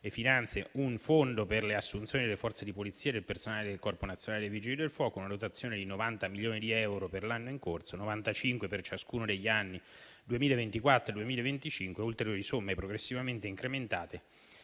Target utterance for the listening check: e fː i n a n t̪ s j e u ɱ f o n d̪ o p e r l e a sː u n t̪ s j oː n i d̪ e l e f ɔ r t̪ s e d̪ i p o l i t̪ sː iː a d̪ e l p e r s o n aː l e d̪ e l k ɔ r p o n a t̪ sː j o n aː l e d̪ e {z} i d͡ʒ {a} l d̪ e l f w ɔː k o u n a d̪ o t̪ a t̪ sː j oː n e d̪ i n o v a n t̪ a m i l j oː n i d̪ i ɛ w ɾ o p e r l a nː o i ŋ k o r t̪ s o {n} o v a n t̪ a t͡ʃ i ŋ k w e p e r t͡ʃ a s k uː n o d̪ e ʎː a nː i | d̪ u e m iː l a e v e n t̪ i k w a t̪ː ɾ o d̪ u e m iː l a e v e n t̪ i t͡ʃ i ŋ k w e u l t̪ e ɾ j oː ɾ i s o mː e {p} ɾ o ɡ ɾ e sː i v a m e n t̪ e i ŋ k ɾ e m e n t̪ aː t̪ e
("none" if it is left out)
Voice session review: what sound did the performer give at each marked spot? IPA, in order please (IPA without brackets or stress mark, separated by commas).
v, i, n, p